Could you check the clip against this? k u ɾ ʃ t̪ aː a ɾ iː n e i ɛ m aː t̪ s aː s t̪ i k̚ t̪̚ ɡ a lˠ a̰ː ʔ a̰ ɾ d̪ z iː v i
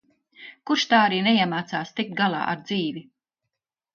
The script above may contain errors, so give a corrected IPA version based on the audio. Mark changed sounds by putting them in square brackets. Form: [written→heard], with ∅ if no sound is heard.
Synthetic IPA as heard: k u ɾ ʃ t̪ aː a ɾ iː n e i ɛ m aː t̪ s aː s t̪ i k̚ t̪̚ ɡ a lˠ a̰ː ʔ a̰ ɾ d̪ z iː v i